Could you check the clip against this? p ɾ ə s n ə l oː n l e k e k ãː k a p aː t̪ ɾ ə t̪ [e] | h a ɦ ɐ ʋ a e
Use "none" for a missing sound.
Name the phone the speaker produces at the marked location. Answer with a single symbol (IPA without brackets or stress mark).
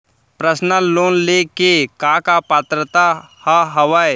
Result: a